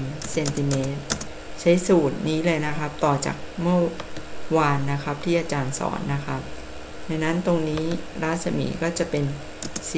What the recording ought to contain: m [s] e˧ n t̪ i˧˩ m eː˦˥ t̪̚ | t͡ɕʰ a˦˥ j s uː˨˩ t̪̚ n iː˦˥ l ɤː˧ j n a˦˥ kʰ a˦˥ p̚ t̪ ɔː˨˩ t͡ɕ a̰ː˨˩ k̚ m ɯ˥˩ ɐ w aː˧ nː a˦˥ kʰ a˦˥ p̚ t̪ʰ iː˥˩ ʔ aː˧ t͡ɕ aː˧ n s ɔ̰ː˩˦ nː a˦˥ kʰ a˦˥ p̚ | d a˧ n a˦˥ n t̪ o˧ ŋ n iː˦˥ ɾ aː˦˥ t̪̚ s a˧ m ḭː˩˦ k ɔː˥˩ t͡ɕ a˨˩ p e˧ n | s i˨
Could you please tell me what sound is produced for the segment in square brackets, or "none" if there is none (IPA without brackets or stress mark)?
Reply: s